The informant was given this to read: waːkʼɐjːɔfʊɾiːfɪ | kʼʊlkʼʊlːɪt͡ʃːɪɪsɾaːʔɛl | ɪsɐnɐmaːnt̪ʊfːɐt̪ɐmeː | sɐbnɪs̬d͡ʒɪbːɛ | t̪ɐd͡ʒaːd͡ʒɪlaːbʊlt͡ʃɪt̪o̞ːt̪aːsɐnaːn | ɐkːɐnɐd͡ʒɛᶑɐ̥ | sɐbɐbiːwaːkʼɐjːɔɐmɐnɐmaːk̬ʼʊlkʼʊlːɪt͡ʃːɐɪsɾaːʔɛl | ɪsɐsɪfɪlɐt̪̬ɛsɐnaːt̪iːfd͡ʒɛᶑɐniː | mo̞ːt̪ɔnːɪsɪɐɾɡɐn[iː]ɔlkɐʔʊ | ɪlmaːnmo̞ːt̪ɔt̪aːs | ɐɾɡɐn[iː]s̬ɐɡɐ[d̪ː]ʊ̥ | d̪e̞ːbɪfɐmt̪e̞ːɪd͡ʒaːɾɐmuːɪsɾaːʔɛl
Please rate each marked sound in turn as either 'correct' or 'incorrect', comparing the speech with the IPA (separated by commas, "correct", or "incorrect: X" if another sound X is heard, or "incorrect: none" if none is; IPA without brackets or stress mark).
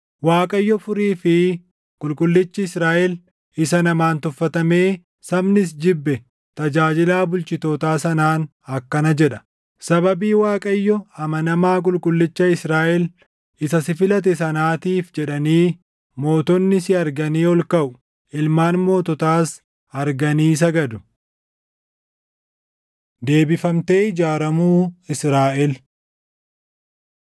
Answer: correct, correct, incorrect: d̪